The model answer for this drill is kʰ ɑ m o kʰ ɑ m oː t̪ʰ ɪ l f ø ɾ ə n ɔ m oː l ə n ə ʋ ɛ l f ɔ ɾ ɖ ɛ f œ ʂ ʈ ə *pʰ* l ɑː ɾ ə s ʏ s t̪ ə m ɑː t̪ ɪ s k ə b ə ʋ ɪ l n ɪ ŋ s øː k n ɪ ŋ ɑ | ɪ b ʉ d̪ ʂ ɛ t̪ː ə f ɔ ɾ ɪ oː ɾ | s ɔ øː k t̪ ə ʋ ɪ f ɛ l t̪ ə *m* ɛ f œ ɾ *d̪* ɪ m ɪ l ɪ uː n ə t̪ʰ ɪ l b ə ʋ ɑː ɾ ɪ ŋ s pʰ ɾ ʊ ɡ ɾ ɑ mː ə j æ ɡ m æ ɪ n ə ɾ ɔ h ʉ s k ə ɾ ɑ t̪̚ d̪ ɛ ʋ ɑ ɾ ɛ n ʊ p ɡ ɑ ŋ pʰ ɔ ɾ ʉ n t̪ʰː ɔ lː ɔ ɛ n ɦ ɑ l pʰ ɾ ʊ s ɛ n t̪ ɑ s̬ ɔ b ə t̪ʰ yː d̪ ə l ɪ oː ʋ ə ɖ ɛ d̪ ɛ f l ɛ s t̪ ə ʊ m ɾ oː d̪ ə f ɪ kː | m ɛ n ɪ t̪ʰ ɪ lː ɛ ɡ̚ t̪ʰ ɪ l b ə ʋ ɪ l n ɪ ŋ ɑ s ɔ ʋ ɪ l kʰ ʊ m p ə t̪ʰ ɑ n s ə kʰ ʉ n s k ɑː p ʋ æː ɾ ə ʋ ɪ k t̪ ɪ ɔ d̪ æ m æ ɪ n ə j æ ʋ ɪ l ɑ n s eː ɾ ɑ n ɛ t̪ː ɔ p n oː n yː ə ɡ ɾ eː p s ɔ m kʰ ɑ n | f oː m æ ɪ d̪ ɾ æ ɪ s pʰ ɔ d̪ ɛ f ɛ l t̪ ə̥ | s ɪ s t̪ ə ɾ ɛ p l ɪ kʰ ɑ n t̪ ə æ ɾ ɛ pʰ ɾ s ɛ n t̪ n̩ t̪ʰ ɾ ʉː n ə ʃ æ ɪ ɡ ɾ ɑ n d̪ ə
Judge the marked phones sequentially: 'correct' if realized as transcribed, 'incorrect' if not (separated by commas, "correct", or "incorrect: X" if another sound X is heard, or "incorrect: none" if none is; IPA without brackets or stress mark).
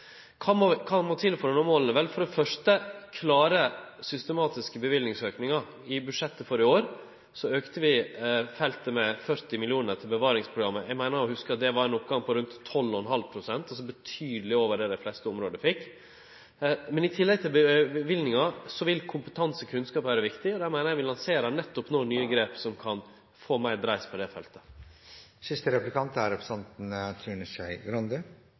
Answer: incorrect: kʰ, correct, incorrect: t̪